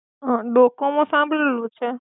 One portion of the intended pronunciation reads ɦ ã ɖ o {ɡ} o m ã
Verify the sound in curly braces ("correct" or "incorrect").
incorrect